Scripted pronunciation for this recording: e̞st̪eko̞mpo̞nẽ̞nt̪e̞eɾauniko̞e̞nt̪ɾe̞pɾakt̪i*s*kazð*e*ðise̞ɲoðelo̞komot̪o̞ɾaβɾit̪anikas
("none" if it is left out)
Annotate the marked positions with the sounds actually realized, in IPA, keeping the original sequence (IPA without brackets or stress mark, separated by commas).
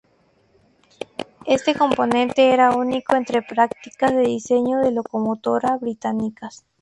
none, e